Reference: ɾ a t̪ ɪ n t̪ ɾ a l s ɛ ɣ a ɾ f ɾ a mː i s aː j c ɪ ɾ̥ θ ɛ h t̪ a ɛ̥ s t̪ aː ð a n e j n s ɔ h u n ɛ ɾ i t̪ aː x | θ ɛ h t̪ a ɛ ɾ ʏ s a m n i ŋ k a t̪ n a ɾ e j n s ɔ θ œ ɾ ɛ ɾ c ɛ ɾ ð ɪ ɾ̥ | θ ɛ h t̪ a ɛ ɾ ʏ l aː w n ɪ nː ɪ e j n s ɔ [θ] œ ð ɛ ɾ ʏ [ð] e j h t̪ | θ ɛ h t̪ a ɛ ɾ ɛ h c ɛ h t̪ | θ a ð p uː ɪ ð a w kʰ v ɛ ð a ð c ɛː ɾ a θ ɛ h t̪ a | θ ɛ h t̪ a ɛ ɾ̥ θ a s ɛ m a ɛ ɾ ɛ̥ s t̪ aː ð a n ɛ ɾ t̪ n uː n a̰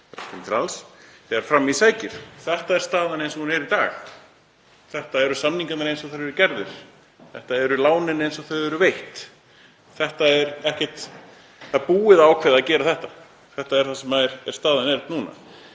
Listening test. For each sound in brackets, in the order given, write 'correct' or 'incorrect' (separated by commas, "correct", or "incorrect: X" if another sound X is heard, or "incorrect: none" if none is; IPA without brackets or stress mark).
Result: correct, incorrect: v